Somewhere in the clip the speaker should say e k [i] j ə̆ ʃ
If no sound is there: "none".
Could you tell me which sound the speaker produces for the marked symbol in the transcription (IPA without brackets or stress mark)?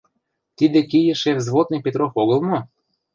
i